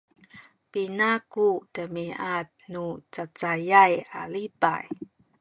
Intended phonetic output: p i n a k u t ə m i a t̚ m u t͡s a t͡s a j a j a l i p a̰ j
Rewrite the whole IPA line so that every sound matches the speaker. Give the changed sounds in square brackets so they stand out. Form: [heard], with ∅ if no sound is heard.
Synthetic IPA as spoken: p i n a k u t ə m i a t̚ [n] u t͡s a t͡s a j a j a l i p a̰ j

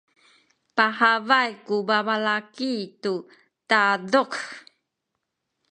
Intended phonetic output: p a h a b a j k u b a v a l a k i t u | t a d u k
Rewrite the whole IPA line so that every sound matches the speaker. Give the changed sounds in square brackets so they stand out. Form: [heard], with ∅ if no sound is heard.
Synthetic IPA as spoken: p a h a [v] a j k u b a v a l a k i t u | t a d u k

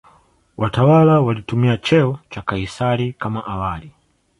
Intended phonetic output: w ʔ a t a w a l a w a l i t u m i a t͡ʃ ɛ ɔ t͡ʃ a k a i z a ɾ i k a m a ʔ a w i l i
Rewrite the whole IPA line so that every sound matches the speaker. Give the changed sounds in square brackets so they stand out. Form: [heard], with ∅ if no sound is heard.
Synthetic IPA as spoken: w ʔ a t a w a l a w a l i t u m i a t͡ʃ ɛ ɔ t͡ʃ a k a i [s] a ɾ i k a m a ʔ a w [a] l i

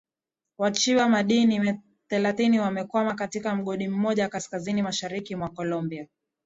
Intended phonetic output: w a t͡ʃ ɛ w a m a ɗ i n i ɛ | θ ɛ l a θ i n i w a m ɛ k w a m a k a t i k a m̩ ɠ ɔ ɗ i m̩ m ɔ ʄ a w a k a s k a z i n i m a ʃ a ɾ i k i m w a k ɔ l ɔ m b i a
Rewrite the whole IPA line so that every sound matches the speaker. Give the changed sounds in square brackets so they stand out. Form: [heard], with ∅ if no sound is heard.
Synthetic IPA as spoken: w a t͡ʃ [i] w a m a ɗ i n i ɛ | θ ɛ l a θ i n i w a m ɛ k w a m a k a t i k a m̩ ɠ ɔ ɗ i m̩ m ɔ ʄ a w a k a s k a z i n i m a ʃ a ɾ i k i m w a k ɔ l ɔ m b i a

